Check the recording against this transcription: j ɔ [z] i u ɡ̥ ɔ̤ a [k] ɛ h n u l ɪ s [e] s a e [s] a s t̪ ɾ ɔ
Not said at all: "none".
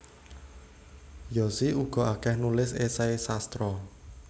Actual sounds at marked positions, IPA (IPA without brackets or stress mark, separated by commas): s, k, e, s